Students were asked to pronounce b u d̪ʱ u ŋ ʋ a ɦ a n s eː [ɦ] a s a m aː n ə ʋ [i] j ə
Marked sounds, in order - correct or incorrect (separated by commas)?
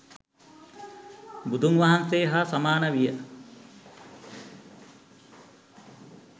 correct, correct